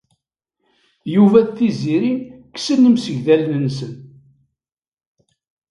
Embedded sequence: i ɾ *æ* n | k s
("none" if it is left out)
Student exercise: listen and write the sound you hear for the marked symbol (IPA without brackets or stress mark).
i